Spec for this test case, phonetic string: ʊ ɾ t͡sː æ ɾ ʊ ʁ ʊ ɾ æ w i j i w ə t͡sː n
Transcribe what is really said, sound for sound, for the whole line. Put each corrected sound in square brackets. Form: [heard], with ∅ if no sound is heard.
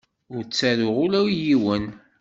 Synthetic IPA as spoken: ʊ ɾ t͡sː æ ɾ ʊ ʁ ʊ [l] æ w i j i w ə [∅] n